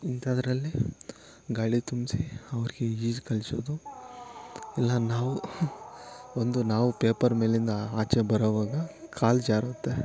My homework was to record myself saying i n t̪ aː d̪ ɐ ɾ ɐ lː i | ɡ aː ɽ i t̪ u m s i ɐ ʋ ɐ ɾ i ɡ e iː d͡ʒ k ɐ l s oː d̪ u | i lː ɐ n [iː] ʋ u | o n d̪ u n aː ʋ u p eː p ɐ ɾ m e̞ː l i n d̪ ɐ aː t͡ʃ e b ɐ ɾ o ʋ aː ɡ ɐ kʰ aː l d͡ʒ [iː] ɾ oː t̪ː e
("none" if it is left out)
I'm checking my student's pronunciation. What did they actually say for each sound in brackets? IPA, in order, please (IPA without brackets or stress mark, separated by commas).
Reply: aː, aː